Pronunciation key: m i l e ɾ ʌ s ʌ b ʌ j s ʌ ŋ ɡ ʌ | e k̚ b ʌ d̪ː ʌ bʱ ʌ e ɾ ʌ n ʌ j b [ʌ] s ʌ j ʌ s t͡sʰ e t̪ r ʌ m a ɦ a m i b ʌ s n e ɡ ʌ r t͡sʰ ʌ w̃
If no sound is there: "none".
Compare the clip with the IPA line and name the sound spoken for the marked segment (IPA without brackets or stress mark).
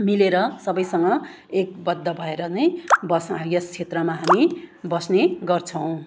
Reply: ʌ